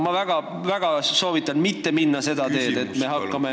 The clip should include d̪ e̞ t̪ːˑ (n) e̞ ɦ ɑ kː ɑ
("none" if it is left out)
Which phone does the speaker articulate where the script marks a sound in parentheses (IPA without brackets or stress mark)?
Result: m